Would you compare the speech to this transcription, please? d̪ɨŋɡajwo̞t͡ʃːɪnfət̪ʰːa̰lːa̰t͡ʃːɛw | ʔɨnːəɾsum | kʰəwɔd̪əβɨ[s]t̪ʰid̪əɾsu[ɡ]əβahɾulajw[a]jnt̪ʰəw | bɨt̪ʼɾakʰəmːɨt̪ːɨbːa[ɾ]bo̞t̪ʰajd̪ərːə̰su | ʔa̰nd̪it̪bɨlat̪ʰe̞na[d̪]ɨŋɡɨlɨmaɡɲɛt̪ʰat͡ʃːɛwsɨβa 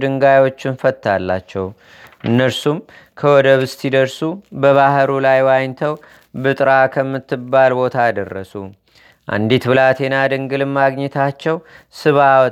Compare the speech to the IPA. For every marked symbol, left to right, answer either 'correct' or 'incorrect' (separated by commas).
correct, incorrect, correct, incorrect, correct